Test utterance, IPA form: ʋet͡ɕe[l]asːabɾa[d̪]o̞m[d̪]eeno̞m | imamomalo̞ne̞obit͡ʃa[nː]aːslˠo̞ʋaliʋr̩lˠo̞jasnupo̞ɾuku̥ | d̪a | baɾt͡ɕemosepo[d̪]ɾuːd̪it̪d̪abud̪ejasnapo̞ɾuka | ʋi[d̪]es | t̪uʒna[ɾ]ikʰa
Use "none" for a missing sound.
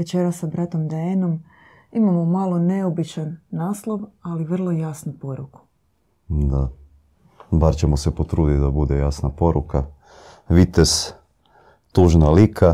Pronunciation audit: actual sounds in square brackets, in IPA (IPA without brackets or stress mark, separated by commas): ɾ, t̪, d̪, nː, t̪, t̪, l